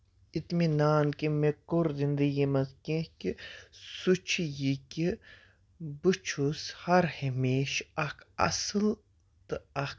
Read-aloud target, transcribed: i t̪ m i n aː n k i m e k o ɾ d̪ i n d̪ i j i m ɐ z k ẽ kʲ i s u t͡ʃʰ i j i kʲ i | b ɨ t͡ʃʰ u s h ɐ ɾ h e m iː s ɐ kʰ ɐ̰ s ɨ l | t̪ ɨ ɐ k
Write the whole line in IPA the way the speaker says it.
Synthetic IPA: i t̪ m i n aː n k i m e k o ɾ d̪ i n d̪ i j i m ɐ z k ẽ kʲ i s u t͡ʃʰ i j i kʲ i | b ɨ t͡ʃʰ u s h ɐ ɾ h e m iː ʃ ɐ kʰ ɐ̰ s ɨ l | t̪ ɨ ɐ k